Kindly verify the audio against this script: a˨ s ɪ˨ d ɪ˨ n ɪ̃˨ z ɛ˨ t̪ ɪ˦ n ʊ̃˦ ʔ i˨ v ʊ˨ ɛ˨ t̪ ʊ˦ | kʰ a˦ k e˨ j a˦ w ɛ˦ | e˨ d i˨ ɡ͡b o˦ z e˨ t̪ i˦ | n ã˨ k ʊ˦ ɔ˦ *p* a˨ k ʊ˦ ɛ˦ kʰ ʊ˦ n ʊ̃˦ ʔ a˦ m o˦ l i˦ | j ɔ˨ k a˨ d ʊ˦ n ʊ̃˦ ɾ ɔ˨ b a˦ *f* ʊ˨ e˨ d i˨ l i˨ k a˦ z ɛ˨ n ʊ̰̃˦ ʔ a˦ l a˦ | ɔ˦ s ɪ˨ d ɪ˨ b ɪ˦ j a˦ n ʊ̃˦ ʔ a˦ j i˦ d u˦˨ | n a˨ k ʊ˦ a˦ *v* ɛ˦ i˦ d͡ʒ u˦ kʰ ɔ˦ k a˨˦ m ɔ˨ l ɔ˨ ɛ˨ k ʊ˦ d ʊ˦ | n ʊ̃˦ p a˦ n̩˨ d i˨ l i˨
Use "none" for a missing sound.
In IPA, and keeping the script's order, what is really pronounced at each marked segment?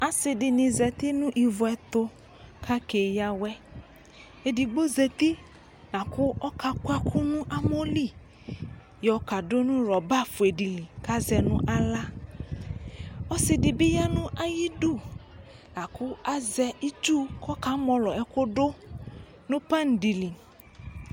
k, f, z

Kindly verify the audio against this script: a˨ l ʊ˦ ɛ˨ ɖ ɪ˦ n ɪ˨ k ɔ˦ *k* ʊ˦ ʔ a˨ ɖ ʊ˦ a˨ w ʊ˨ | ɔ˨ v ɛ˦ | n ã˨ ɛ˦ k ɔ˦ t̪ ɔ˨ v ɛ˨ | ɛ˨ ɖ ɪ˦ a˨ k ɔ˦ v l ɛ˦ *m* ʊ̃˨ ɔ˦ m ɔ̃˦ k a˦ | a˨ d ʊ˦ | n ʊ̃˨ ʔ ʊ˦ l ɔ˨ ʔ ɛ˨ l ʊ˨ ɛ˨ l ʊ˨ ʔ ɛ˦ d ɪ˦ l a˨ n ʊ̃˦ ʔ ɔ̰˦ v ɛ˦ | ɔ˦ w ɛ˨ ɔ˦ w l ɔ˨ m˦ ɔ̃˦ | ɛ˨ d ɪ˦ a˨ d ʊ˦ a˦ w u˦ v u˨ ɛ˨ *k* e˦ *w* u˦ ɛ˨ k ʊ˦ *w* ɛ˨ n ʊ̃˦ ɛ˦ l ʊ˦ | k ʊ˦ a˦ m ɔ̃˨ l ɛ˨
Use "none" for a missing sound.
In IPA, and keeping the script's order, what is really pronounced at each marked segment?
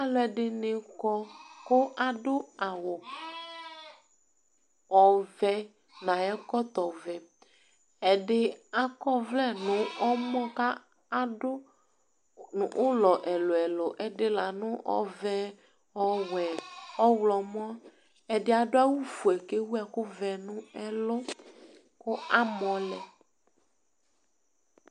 k, n, k, w, v

